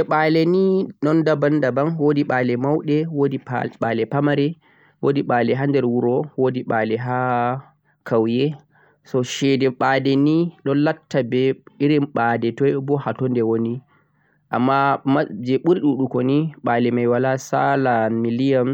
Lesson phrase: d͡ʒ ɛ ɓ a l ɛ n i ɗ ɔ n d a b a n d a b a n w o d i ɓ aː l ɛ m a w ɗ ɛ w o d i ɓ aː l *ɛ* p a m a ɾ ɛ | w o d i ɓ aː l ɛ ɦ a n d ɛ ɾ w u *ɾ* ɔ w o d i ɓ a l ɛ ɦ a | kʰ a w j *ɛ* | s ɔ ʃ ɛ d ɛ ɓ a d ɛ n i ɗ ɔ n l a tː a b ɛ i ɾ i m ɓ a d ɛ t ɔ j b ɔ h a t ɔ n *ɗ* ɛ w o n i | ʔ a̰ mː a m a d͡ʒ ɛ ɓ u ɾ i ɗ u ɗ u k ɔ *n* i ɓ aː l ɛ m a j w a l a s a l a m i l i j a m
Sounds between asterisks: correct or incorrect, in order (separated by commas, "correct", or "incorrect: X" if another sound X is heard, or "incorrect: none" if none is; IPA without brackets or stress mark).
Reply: correct, correct, correct, incorrect: d, correct